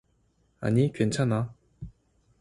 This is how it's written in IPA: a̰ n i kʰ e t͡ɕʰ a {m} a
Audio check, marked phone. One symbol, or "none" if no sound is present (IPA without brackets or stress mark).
n